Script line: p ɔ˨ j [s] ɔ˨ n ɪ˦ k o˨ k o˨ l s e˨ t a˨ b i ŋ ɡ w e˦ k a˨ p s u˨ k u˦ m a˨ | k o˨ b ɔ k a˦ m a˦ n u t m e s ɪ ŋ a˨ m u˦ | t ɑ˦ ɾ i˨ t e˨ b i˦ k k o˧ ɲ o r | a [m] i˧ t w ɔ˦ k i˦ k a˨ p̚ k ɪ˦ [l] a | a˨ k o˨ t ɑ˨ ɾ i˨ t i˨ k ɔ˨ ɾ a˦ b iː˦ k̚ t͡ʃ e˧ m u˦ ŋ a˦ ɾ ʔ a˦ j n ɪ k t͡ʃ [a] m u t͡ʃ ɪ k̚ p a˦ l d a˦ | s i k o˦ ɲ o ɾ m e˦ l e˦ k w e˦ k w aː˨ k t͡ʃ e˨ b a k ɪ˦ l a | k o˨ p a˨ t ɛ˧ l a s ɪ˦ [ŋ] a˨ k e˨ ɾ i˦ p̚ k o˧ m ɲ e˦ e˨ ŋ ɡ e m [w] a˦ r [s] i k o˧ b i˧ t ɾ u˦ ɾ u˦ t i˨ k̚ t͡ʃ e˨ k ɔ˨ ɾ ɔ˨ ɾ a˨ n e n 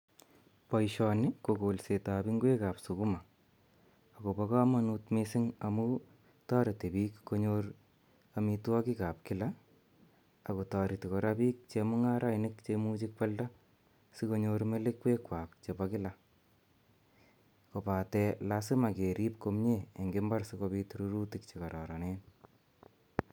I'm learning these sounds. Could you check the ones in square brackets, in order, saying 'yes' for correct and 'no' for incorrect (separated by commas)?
no, yes, yes, no, no, no, yes